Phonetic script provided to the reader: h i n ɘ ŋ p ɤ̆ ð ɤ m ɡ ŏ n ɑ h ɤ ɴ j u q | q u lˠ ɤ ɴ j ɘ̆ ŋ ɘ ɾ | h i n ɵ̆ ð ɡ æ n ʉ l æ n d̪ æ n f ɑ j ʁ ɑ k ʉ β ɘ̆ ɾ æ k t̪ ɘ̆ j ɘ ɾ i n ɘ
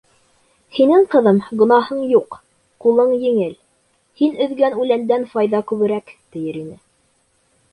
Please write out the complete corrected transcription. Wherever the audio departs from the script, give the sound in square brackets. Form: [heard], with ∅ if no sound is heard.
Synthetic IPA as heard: h i n ɘ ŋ [q] ɤ̆ ð ɤ m ɡ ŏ n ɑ h ɤ ɴ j u q | q u lˠ ɤ ɴ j ɘ̆ ŋ ɘ [l] | h i n ɵ̆ ð ɡ æ n ʉ l æ n d̪ æ n f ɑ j [ð] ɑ k ʉ β ɘ̆ ɾ æ k t̪ ɘ̆ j ɘ ɾ i n ɘ